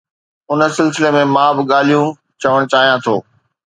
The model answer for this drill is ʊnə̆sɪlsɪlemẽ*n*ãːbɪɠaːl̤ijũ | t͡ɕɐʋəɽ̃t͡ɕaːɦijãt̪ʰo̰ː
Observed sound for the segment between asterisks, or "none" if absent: m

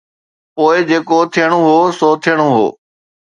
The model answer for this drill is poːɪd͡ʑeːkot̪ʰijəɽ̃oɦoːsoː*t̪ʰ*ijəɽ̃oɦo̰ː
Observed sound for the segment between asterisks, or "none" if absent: t̪ʰ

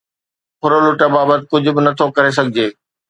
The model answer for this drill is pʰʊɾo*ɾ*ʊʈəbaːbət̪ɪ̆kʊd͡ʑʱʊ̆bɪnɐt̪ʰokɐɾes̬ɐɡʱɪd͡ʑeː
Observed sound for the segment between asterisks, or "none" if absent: l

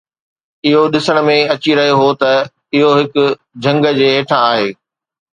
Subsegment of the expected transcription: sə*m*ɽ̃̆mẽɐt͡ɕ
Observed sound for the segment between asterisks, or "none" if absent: none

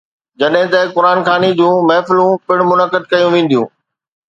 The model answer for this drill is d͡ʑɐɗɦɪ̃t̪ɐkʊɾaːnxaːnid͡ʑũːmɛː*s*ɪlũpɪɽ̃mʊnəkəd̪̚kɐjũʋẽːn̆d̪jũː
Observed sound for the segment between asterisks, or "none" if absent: f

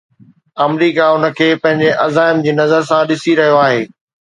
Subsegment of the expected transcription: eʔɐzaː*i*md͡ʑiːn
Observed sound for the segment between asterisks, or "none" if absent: ɪ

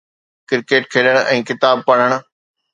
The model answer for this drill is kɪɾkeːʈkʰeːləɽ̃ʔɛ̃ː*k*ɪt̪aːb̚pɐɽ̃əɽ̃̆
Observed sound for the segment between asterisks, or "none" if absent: k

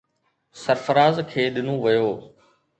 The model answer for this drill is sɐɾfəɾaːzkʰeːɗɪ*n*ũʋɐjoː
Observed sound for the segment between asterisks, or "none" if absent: n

